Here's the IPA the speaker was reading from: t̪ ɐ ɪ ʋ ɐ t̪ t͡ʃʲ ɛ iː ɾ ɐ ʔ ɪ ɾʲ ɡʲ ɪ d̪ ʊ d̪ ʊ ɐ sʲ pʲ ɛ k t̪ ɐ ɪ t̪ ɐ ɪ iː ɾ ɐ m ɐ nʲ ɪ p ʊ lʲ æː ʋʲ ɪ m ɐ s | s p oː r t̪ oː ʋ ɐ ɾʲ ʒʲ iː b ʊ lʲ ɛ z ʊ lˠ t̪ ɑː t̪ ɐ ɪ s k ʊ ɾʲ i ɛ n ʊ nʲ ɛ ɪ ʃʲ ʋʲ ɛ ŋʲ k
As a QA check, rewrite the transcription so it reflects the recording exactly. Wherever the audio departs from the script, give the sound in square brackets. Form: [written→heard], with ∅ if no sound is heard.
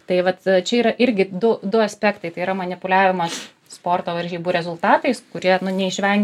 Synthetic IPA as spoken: t̪ ɐ ɪ ʋ ɐ t̪ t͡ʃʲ ɛ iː ɾ ɐ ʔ ɪ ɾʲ ɡʲ ɪ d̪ ʊ d̪ ʊ ɐ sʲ pʲ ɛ k t̪ ɐ ɪ t̪ ɐ ɪ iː ɾ ɐ m ɐ nʲ ɪ p ʊ lʲ æː ʋʲ ɪ m ɐ s | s p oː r t̪ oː ʋ ɐ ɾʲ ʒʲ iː b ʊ [lʲ→ɾʲ] ɛ z ʊ lˠ t̪ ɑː t̪ ɐ ɪ s k ʊ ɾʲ i ɛ n ʊ nʲ ɛ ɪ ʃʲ ʋʲ ɛ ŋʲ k

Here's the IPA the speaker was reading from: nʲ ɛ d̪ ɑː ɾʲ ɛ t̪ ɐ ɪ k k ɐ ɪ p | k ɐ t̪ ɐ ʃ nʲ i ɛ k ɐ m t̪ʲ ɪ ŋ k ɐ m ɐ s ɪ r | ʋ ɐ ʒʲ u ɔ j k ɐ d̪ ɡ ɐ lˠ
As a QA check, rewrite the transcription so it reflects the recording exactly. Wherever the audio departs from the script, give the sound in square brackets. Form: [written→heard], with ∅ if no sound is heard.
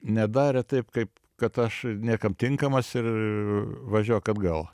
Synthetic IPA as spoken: nʲ ɛ d̪ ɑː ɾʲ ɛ t̪ ɐ ɪ [k→p] k ɐ ɪ p | k ɐ t̪ ɐ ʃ nʲ i ɛ k ɐ m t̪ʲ ɪ ŋ k ɐ m ɐ s ɪ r | ʋ ɐ ʒʲ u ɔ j k ɐ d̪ ɡ ɐ lˠ

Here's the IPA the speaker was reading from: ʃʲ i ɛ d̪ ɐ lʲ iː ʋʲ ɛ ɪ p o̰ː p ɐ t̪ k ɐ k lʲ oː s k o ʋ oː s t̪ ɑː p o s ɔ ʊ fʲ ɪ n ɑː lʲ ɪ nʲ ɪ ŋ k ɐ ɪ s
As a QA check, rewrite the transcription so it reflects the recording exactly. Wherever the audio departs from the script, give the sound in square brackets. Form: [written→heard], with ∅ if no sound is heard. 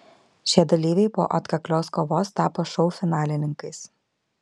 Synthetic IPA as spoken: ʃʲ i ɛ d̪ ɐ lʲ iː ʋʲ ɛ ɪ p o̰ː [p→ʔ] ɐ t̪ k ɐ k lʲ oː s k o ʋ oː s t̪ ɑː p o [s→ʃ] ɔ ʊ fʲ ɪ n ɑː lʲ ɪ nʲ ɪ ŋ k ɐ ɪ s

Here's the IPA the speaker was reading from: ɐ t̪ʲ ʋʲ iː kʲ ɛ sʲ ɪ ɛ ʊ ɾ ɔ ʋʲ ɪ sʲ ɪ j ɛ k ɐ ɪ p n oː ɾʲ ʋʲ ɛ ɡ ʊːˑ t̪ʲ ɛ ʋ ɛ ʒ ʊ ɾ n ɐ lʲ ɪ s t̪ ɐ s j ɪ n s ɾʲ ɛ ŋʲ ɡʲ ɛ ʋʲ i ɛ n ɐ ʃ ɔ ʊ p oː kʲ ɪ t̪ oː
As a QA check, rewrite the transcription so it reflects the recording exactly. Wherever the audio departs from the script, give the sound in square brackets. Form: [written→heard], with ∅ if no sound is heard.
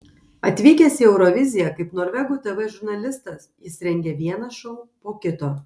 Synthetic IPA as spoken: ɐ t̪ʲ ʋʲ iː kʲ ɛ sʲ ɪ ɛ ʊ ɾ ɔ ʋʲ ɪ [sʲ→zʲ] ɪ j ɛ k ɐ ɪ p n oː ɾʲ ʋʲ ɛ ɡ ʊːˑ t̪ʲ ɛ ʋ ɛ ʒ ʊ ɾ n ɐ lʲ ɪ s t̪ ɐ s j ɪ [n→∅] s ɾʲ ɛ ŋʲ ɡʲ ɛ ʋʲ i ɛ n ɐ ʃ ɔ ʊ p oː kʲ ɪ t̪ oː

